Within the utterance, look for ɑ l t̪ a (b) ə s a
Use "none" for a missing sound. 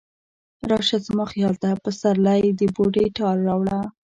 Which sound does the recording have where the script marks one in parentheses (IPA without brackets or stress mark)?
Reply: p